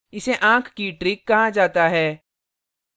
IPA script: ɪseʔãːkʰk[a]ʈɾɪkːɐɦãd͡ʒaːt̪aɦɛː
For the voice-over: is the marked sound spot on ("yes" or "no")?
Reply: no